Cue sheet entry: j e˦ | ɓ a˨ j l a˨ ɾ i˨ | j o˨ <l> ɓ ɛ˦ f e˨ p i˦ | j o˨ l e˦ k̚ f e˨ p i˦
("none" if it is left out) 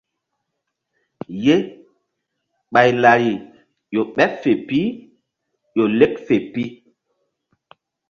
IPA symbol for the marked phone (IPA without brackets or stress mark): none